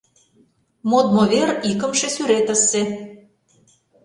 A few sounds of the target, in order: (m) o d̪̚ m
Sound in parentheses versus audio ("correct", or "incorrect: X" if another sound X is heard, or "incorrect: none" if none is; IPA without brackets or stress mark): correct